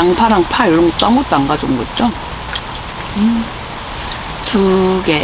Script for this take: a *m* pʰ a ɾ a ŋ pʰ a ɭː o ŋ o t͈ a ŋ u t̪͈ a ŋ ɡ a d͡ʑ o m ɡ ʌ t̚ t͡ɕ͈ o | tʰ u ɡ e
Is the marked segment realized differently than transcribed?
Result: yes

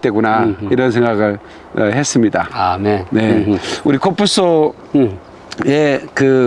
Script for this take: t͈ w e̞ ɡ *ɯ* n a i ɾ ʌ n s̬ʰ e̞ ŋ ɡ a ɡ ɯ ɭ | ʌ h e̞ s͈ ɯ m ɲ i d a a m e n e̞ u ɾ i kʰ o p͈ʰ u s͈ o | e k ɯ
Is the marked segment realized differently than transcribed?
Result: yes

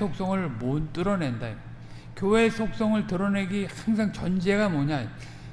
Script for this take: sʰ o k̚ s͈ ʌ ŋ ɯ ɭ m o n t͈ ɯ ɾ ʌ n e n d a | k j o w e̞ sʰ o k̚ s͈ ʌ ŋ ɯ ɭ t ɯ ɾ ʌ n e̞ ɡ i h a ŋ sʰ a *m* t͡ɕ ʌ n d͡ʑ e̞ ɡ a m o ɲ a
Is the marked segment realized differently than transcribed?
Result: yes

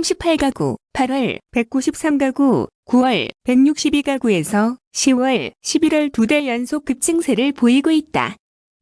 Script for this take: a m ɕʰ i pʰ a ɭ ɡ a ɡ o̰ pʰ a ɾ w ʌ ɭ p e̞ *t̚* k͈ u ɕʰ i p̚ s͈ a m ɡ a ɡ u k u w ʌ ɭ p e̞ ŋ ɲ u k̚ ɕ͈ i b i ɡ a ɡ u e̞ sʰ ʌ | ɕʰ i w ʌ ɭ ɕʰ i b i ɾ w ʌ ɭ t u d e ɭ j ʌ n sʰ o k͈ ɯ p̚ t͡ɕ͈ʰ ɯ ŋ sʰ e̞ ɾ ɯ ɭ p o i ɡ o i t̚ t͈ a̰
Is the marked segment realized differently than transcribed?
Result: yes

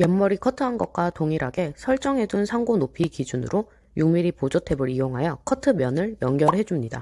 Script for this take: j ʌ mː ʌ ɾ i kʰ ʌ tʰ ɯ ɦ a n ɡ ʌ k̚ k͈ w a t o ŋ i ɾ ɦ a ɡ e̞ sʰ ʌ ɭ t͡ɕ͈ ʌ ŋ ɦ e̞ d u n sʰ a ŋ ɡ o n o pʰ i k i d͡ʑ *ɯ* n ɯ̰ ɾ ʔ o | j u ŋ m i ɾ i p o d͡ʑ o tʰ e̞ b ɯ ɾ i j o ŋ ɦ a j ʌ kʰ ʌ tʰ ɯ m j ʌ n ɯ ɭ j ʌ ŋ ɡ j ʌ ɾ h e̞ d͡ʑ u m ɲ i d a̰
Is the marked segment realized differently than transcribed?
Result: yes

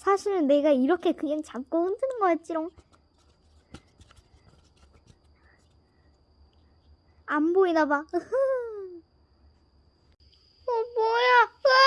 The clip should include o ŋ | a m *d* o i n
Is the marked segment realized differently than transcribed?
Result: yes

